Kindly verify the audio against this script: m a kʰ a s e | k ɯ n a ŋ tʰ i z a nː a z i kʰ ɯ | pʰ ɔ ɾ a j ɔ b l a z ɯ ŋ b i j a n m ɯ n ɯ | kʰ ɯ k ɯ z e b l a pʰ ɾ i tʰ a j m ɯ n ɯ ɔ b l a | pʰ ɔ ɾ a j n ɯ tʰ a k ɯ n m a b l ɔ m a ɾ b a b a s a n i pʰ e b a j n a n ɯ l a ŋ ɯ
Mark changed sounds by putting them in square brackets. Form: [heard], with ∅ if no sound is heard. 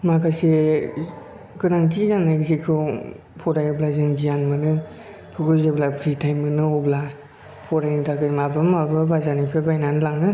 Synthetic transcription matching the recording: m a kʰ a s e | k ɯ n a ŋ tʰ i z a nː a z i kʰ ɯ | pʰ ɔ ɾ a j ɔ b l a z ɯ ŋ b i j a n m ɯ n ɯ | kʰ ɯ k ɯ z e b l a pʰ ɾ i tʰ a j m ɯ n ɯ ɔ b l a | pʰ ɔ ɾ a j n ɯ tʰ a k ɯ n m a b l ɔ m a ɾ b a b a [z] a n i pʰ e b a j n a n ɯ l a ŋ ɯ